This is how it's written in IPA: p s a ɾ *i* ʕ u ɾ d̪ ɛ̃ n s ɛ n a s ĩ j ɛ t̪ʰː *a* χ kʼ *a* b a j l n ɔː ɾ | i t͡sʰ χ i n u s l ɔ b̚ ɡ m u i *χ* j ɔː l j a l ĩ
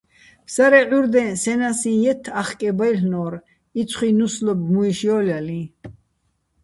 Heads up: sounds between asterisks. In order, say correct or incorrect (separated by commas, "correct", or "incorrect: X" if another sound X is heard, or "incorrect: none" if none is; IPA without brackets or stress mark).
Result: incorrect: ɛ, correct, incorrect: ɛ, incorrect: ʃ